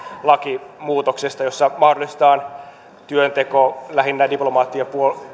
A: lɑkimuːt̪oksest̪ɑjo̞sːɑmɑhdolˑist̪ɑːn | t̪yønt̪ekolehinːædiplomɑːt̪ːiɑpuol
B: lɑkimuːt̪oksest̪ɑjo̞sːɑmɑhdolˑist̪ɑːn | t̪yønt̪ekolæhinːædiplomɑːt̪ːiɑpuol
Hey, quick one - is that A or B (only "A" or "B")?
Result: B